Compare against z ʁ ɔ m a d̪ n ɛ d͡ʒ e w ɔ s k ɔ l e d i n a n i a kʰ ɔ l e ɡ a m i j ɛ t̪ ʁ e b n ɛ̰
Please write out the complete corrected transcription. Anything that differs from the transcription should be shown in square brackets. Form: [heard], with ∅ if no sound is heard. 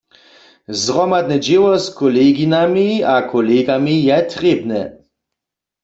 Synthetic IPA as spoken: z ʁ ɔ m a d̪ n ɛ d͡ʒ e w ɔ s k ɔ l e [ɡ] i n a [m] i a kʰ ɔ l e ɡ a m i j ɛ t̪ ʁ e b n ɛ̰